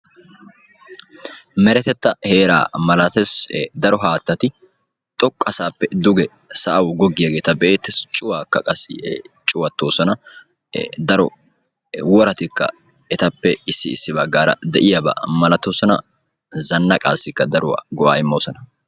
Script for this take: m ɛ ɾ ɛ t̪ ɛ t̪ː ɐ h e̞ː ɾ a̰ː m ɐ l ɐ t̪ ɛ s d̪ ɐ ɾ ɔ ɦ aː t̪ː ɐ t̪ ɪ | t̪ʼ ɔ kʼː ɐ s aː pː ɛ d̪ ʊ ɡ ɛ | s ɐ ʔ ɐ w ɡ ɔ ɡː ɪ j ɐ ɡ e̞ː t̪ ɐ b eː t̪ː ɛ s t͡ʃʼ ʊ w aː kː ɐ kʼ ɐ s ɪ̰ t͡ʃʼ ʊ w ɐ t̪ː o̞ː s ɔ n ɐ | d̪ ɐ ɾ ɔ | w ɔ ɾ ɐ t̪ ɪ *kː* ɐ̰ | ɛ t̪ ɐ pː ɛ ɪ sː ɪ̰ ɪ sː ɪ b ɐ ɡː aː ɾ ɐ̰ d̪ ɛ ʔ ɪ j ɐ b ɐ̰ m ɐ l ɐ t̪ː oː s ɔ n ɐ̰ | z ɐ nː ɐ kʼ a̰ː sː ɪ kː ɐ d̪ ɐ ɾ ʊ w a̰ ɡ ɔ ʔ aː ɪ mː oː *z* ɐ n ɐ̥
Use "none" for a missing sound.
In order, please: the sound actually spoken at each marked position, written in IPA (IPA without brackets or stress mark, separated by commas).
kː, s